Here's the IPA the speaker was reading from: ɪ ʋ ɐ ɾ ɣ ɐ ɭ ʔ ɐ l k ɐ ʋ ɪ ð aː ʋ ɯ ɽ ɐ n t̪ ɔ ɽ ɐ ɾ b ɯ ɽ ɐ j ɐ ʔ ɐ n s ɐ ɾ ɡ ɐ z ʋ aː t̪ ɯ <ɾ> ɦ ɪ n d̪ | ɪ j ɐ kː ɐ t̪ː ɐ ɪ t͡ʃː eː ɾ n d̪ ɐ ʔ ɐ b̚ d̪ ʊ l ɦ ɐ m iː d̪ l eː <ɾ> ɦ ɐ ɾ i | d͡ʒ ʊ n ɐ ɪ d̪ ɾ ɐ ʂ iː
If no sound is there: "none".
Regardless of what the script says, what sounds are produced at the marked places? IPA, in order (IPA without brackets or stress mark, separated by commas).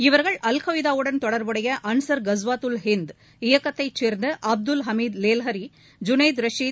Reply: l, l